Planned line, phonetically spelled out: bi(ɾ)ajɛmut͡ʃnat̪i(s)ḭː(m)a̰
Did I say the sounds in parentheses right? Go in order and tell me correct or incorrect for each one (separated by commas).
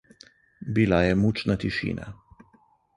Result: incorrect, incorrect, incorrect